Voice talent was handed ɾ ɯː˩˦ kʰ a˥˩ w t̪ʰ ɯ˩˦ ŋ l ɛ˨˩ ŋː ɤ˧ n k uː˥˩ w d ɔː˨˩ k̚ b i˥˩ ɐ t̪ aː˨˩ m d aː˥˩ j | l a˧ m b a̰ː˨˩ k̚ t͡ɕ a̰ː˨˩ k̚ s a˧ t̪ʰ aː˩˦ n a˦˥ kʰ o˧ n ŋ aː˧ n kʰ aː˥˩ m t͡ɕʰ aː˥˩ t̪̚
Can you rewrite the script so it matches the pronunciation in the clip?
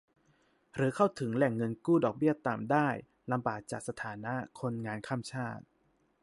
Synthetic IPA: ɾ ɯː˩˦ kʰ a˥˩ w t̪ʰ ɯ˩˦ ŋ l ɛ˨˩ ŋː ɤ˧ n k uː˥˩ d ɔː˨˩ k̚ b i˥˩ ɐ t̪ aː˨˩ m d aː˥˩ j | l a˧ m b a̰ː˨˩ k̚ t͡ɕ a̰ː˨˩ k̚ s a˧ t̪ʰ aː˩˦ n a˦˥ kʰ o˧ n ŋ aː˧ n kʰ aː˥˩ m t͡ɕʰ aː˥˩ t̪̚

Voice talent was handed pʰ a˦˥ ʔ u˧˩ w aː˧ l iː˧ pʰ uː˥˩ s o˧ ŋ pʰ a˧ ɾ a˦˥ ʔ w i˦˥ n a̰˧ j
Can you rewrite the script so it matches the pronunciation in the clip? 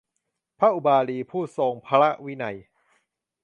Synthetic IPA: pʰ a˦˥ ʔ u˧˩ b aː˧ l iː˧ pʰ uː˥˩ s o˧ ŋ pʰ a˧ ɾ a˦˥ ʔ w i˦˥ n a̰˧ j

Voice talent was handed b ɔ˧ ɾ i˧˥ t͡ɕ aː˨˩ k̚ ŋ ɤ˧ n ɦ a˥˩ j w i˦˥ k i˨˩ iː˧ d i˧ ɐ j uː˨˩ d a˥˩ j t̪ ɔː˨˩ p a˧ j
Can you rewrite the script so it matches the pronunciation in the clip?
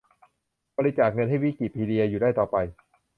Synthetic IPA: b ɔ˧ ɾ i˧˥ t͡ɕ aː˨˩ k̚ ŋ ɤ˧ n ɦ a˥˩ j w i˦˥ k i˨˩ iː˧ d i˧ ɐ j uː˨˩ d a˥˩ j t̪ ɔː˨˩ p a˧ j

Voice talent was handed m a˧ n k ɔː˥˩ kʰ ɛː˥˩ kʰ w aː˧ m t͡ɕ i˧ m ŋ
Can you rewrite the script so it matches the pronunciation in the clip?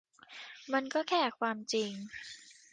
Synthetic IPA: m a˧ n k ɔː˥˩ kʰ ɛː˥˩ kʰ w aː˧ m t͡ɕ i˧ ŋ

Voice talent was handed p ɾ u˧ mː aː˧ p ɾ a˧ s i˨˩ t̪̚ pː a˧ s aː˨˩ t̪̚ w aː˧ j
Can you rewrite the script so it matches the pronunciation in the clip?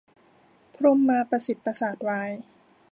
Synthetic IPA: pʰ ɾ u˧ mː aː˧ p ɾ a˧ s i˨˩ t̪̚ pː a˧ s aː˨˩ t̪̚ w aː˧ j

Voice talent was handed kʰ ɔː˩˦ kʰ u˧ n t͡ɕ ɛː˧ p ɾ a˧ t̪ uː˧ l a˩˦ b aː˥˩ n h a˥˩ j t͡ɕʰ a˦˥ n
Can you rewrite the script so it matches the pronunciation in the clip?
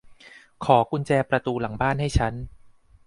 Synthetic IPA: kʰ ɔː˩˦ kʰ u˧ n t͡ɕ ɛː˧ p ɾ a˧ t̪ uː˧ l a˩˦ b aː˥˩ n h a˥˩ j t͡ɕʰ a˦˥ n

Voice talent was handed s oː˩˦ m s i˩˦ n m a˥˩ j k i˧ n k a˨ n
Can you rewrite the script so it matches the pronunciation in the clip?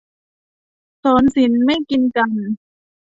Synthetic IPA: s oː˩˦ n s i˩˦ n m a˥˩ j k i˧ n k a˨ n

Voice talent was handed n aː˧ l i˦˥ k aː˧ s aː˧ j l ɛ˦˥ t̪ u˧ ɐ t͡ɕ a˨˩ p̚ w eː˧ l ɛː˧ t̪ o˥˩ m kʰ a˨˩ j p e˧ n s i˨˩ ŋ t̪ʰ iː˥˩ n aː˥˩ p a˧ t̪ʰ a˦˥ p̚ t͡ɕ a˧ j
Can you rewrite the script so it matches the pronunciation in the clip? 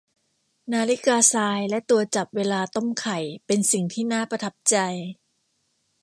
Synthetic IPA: n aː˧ l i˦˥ k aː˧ s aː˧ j l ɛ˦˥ t̪ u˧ ɐ t͡ɕ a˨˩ p̚ w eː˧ l aː˧ t̪ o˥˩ m kʰ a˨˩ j p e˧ n s i˨˩ ŋ t̪ʰ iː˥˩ n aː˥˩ p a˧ t̪ʰ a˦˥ p̚ t͡ɕ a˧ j

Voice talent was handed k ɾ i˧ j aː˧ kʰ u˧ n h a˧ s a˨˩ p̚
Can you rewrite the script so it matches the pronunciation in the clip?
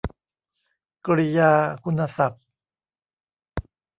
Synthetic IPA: k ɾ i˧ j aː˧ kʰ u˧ n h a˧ s a˨˩ p̚

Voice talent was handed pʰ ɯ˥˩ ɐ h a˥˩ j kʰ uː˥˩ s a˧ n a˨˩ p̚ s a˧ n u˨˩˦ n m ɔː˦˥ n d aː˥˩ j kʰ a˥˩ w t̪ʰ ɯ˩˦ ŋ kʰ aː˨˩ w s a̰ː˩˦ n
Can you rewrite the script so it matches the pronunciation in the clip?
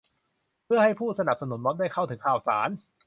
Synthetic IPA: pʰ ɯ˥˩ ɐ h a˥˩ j pʰ uː˥˩ s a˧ n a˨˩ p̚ s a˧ n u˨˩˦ n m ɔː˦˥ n d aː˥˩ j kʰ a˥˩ w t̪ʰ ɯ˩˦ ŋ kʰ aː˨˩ w s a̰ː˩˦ n

